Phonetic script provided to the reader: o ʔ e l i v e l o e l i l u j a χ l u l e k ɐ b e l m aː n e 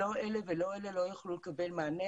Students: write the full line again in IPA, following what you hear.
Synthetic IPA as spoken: o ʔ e l e v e l o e l e l o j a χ l u l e k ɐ b e l m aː n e